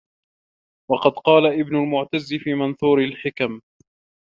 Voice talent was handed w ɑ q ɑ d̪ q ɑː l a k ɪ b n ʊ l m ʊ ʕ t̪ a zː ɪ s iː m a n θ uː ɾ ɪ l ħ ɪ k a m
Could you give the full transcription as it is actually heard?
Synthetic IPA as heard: w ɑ q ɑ d̪ q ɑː l a ʔ ɪ b n ʊ l m ʊ ʕ t̪ a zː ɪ f iː m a n θ uː ɾ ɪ l ħ ɪ k a m